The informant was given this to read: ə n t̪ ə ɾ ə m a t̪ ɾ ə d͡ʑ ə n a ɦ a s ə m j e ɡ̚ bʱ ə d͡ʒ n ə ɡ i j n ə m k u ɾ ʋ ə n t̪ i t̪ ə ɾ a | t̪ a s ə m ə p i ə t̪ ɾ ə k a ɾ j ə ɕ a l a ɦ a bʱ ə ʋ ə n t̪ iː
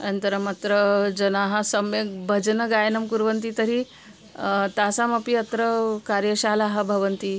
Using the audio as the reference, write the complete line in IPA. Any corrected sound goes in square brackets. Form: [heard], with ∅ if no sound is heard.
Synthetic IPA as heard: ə n t̪ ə ɾ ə m a t̪ ɾ ə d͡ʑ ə n a ɦ a s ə m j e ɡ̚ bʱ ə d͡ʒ n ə ɡ [a] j n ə m k u ɾ ʋ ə n t̪ i t̪ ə ɾ [i] | t̪ a s [a] m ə p i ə t̪ ɾ ə k a ɾ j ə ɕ a l a ɦ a bʱ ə ʋ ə n t̪ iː